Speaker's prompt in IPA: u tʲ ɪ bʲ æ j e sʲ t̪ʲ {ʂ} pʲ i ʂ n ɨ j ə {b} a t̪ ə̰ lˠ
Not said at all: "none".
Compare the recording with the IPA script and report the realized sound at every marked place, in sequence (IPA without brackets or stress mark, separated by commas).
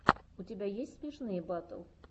s, b